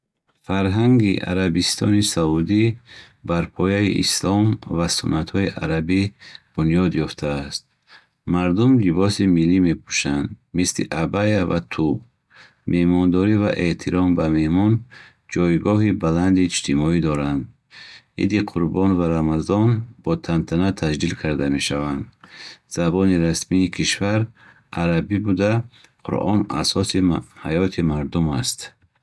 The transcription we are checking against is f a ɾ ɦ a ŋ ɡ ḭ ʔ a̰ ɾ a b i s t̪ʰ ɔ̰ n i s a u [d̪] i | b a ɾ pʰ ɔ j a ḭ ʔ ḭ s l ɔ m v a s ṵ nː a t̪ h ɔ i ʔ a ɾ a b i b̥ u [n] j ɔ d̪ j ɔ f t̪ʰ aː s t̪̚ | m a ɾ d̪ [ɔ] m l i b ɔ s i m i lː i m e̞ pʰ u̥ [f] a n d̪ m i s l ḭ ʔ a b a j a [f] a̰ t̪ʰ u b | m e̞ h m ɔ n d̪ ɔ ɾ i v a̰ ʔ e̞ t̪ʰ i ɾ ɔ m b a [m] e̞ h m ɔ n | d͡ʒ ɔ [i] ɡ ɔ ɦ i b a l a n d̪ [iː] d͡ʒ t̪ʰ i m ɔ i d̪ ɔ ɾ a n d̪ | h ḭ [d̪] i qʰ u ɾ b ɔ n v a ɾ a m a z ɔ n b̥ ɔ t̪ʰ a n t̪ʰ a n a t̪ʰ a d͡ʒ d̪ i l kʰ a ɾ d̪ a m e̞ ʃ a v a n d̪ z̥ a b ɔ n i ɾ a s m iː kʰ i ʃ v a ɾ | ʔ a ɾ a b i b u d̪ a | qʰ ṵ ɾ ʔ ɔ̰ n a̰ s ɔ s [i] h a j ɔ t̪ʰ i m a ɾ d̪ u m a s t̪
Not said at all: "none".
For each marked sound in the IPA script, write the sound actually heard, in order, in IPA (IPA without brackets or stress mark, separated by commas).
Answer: d̪, n, u, ʃ, v, m, j, iː, d̪, i